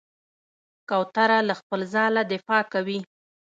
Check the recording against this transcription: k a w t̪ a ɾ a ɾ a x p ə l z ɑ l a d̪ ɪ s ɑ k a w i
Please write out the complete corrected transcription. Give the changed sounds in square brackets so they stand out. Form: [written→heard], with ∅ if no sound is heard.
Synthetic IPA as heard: k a w t̪ a ɾ a [ɾ→l] a x p ə l z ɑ l a d̪ ɪ [s→f] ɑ k a w i